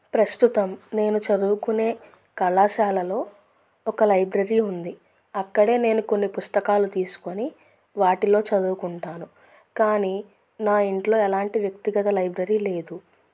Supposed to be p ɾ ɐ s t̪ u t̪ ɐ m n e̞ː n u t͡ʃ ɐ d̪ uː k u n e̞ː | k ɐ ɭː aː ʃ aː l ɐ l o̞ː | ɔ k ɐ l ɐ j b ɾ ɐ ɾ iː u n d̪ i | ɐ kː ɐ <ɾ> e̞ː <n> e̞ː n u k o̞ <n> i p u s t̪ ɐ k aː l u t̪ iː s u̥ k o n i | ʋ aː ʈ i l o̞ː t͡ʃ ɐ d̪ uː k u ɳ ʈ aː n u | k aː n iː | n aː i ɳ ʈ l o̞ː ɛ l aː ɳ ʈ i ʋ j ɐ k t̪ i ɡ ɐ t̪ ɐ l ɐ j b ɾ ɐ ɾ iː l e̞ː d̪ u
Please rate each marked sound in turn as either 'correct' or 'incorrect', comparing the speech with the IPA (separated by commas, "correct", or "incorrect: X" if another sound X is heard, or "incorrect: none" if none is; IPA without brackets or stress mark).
incorrect: ɽ, correct, incorrect: nː